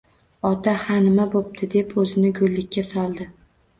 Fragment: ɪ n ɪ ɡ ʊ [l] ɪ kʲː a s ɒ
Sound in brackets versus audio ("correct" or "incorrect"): incorrect